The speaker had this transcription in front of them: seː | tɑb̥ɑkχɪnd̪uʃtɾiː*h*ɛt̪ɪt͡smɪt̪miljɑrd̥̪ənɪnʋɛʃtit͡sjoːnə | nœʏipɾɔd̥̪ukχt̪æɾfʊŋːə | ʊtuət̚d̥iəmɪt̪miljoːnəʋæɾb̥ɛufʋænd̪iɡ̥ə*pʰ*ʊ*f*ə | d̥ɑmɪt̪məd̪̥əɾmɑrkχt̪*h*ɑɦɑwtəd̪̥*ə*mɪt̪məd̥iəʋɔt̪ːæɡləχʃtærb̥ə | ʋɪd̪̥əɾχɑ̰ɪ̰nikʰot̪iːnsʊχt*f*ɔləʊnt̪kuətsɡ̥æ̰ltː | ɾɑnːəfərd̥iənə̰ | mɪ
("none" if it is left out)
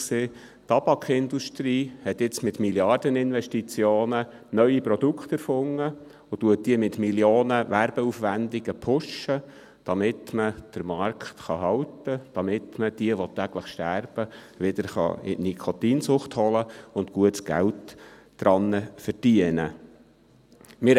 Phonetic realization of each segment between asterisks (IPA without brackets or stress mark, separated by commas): h, pʰ, ʃ, χ, ɑ, h